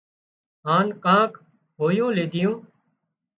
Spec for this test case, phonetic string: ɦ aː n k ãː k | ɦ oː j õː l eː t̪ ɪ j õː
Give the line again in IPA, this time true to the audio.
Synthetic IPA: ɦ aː n k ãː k | ɦ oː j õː l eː d̪ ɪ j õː